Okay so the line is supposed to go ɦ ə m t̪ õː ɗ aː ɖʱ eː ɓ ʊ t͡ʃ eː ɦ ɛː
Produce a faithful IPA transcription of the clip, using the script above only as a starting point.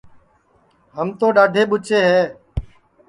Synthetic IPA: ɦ ə m t̪ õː ɗ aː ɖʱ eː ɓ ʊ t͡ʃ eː ɦ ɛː